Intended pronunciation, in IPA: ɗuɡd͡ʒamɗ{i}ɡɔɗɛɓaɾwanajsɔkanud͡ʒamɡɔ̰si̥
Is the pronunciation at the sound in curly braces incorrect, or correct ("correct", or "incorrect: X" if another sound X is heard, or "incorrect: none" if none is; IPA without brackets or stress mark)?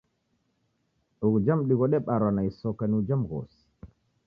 correct